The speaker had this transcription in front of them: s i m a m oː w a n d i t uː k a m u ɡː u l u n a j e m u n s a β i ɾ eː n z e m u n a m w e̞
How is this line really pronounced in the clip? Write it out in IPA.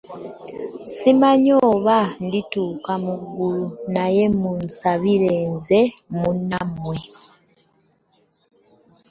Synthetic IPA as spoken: s i m a ɲ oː β a n d i t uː k a m u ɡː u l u n a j e m u n s a β i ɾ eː n z e m u n a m w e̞